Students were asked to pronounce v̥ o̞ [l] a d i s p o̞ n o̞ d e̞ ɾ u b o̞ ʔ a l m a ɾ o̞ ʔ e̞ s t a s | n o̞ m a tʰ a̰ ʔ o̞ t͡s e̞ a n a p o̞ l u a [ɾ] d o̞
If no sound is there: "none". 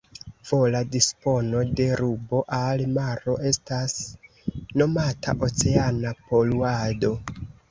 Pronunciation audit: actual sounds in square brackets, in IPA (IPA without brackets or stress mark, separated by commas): l, none